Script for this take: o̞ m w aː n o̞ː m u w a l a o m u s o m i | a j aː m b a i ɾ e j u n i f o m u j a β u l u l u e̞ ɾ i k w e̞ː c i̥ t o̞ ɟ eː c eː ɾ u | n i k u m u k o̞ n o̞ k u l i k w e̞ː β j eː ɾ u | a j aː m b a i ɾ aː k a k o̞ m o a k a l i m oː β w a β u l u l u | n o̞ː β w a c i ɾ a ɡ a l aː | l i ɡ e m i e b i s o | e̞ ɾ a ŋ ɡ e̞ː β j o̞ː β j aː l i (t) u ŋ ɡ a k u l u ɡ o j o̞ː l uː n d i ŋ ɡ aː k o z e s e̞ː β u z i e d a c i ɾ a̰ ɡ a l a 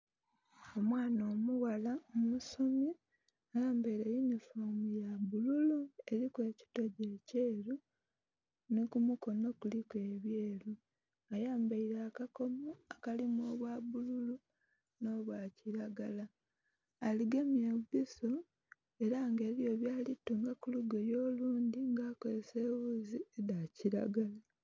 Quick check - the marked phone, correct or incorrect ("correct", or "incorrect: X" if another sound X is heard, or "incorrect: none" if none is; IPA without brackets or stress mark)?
correct